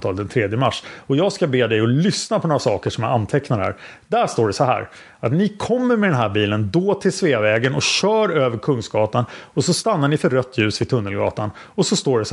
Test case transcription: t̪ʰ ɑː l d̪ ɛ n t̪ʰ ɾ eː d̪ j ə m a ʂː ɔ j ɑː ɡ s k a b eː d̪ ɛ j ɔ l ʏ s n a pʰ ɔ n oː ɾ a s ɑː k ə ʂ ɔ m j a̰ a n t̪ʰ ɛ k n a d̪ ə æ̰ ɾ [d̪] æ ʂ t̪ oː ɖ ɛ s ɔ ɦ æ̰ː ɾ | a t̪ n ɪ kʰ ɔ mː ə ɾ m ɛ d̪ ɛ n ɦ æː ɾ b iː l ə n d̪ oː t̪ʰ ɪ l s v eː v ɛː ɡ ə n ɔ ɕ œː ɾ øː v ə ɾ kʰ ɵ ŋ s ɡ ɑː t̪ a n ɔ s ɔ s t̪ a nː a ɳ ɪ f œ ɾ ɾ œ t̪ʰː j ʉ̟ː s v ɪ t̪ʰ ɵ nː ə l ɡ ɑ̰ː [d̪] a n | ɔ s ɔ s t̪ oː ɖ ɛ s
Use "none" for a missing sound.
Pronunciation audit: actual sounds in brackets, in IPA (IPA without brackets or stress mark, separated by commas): d̪, t̪